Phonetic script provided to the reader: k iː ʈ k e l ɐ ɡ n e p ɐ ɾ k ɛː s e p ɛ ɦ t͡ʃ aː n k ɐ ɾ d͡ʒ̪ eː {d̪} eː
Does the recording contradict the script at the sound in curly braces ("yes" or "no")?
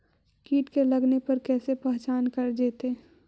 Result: yes